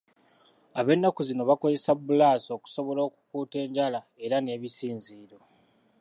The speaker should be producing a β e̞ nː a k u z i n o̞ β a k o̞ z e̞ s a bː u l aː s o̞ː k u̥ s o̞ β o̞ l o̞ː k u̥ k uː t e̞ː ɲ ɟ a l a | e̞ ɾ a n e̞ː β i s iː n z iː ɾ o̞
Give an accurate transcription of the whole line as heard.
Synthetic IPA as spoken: a β e̞ nː a k u z i n o̞ β a k o̞ z e̞ s a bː u l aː s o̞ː k u̥ s o̞ β o̞ l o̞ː k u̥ k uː t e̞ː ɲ ɟ a l a | e̞ ɾ a n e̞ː β i s iː n z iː ɾ o̞